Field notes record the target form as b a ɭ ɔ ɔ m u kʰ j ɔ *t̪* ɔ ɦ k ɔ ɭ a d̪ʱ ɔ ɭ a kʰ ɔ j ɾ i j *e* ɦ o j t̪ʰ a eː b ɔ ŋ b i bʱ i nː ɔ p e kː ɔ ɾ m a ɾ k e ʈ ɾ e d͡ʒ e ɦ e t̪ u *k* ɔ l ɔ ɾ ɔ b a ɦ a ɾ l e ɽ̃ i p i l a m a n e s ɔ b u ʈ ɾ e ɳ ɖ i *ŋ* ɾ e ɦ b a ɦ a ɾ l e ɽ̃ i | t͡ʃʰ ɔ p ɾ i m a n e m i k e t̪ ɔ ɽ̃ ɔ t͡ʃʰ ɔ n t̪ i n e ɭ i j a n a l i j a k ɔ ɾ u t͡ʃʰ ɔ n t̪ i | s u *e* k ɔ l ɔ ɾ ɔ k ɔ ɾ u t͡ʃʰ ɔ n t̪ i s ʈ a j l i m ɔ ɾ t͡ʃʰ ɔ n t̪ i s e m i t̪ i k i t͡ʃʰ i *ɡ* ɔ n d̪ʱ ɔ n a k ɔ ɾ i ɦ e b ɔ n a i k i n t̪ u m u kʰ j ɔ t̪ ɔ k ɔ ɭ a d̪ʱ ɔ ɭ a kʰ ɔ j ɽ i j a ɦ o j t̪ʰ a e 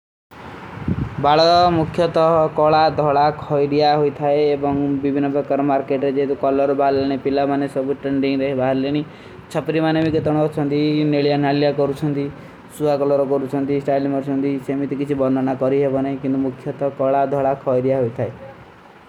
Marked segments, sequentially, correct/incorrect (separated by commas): correct, incorrect, correct, correct, incorrect, incorrect